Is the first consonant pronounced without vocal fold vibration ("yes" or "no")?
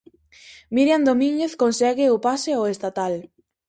no